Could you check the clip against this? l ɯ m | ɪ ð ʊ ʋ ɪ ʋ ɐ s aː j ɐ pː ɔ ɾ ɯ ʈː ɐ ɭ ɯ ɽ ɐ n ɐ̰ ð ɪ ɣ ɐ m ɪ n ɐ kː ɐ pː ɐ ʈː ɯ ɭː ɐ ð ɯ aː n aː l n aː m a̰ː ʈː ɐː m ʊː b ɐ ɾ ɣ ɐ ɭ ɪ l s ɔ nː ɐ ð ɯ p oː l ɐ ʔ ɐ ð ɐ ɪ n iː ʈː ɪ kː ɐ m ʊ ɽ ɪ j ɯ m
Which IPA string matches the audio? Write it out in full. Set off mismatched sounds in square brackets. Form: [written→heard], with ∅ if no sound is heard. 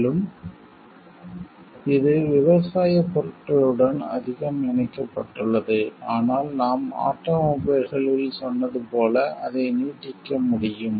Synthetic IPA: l ɯ m | ɪ ð [ʊ→ɯ] ʋ ɪ ʋ ɐ s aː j ɐ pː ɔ ɾ ɯ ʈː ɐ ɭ ɯ ɽ ɐ n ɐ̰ ð ɪ ɣ ɐ m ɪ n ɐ kː ɐ pː ɐ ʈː ɯ ɭː ɐ ð ɯ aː n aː l n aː m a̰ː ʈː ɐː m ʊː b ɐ ɾ ɣ ɐ ɭ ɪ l s ɔ nː ɐ ð ɯ p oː l ɐ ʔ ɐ ð ɐ ɪ n iː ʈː ɪ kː ɐ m ʊ ɽ ɪ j ɯ m